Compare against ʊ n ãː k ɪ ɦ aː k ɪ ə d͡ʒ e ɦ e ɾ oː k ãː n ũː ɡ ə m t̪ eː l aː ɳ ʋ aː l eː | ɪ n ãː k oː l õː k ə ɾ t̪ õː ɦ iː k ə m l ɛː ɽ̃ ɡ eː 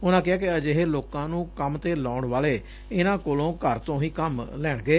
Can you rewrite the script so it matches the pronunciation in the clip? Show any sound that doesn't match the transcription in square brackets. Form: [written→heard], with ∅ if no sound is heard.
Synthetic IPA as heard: ʊ n ãː k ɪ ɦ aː k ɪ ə d͡ʒ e ɦ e [ɾ→l] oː k ãː n ũː [ɡ→k] ə m t̪ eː l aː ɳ ʋ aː l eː | ɪ n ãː k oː l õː k ə ɾ t̪ õː ɦ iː k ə m l ɛː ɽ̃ ɡ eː